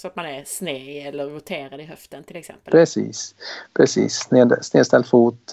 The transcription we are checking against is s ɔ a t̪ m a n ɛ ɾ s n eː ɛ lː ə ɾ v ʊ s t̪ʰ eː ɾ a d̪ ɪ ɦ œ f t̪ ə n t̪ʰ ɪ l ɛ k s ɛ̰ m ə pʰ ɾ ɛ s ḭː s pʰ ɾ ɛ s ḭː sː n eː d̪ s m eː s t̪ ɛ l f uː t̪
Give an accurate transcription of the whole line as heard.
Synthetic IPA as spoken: s ɔ a t̪ m a n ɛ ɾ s n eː ɛ lː ə ɾ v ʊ t̪ʰ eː ɾ a d̪ ɪ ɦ œ f t̪ ə n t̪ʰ ɪ l ɛ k s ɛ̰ m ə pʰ ɾ ɛ s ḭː s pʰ ɾ ɛ s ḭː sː n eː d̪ s n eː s t̪ ɛ l f uː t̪